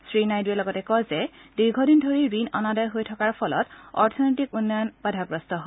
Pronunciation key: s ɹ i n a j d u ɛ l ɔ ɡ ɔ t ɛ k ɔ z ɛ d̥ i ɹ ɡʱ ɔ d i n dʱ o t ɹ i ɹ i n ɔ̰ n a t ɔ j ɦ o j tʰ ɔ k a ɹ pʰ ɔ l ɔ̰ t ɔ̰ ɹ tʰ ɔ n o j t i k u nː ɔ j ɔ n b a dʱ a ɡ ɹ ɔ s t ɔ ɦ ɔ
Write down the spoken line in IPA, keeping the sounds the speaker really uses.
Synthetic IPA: s ɹ i n a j d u ɛ l ɔ ɡ ɔ t ɛ k ɔ z ɛ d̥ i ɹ ɡʱ ɔ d i n dʱ o ɹ i ɹ i n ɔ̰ n a d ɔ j ɦ o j tʰ ɔ k a ɹ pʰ ɔ l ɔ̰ t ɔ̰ ɹ tʰ ɔ n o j t i k u nː ɔ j ɔ n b a dʱ a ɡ ɹ ɔ s t ɔ ɦ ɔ